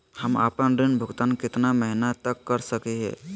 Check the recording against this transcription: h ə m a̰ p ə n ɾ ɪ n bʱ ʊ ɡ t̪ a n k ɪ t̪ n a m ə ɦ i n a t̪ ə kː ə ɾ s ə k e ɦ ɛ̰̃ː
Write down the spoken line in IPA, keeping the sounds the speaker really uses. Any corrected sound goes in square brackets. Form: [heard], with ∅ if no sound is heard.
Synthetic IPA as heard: h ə m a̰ p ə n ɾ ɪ n bʱ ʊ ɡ t̪ a n k ɪ t̪ n a m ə ɦ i n a t̪ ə kː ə ɾ s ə k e ɦ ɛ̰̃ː